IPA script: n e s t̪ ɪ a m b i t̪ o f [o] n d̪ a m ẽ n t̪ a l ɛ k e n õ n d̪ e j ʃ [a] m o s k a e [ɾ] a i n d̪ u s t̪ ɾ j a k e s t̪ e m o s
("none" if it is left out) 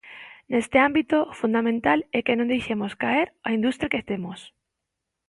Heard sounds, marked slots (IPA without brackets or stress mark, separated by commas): u, e, ɾ